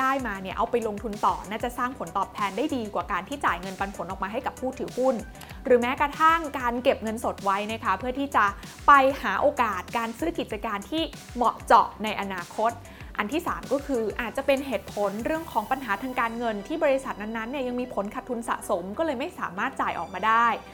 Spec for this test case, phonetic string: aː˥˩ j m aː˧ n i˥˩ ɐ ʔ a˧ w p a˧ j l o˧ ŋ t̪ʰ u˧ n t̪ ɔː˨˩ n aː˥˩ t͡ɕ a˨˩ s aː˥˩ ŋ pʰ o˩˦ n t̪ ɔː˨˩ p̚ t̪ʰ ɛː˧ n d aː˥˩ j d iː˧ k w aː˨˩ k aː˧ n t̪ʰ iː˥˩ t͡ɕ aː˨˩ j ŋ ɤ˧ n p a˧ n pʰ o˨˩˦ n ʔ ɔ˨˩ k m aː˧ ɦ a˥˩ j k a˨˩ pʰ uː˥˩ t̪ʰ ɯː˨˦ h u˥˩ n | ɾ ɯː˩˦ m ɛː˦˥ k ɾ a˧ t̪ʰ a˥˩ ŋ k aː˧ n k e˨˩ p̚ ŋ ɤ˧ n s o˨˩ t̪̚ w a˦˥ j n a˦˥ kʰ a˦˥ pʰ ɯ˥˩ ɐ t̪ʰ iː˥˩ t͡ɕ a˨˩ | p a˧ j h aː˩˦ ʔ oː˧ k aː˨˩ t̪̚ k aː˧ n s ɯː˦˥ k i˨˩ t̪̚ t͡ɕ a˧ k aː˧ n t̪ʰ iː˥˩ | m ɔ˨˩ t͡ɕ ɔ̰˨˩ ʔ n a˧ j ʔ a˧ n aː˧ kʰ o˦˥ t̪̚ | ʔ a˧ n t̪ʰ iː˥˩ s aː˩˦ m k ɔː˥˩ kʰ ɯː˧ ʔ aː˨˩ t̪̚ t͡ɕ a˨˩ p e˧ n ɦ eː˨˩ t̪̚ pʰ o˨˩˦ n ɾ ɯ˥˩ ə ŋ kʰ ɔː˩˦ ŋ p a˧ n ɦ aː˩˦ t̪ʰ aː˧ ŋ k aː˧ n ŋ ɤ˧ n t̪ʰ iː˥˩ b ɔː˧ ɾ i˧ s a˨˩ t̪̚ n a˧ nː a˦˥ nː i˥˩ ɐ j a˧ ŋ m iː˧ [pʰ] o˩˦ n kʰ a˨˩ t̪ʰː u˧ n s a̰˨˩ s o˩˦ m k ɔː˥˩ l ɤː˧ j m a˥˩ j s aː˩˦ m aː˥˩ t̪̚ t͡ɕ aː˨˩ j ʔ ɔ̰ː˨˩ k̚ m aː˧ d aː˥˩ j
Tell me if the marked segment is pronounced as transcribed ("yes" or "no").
yes